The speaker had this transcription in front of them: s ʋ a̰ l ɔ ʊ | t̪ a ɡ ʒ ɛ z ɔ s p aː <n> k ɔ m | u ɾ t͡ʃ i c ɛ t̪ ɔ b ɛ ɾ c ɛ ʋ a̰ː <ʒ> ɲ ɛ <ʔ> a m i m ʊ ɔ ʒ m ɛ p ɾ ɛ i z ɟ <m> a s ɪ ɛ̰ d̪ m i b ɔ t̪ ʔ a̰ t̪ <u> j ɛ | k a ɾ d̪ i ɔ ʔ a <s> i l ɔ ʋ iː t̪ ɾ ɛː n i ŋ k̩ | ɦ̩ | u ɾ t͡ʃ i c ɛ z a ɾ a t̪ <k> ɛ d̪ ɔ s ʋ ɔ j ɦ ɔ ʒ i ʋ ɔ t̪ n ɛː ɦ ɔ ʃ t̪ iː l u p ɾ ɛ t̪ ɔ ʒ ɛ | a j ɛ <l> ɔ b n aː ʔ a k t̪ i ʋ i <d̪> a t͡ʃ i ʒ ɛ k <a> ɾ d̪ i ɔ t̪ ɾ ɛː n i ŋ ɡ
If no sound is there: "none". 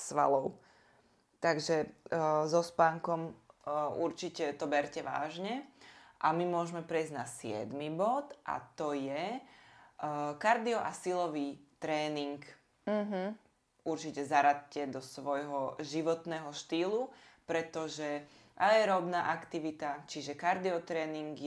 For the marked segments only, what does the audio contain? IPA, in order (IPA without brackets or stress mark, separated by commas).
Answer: ŋ, ʒ, ʔ, n, ɔ, s, c, ɾ, t̪, a